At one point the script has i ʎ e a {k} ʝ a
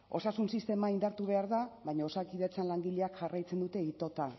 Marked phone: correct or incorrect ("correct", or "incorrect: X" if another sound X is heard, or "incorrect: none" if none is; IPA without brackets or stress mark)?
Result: correct